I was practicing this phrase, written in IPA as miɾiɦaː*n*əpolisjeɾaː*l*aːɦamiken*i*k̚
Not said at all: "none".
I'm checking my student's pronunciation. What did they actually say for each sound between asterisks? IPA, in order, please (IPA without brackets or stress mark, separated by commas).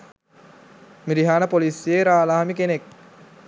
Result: n, l, e